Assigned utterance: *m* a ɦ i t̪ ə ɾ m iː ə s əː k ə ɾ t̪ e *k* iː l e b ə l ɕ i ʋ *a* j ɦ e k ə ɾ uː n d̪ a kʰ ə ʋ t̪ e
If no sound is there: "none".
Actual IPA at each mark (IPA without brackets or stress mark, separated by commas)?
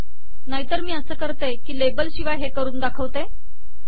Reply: n, k, a